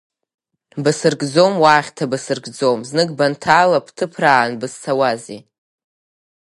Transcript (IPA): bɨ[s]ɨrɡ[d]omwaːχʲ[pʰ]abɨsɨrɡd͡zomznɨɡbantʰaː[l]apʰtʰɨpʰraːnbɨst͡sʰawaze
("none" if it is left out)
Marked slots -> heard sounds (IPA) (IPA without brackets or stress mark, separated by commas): s, d͡z, tʰ, l